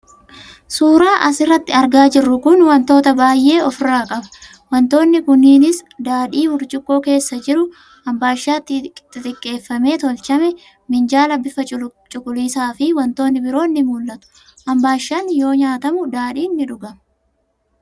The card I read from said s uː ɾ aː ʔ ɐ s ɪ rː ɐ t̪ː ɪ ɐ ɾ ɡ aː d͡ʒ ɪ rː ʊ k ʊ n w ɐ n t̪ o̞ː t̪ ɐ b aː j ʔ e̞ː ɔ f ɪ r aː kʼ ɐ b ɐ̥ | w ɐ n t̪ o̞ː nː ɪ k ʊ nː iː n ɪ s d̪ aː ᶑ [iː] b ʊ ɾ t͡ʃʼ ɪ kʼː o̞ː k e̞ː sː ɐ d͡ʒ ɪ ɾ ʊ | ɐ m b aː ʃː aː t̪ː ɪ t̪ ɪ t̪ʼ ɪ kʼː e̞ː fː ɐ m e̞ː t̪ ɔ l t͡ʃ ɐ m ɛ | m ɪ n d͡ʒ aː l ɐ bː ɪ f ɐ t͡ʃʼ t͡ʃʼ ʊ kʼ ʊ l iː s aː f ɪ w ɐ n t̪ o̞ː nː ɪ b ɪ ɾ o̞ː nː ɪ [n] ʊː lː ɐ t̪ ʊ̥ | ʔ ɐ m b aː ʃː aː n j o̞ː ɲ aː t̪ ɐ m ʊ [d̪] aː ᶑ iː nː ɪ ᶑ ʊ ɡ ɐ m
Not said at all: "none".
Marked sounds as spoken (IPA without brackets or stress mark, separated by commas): iː, m, d̪